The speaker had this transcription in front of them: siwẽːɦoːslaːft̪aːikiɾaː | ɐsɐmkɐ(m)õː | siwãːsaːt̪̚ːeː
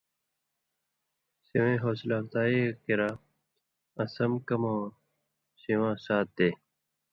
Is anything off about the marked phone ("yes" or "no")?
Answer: no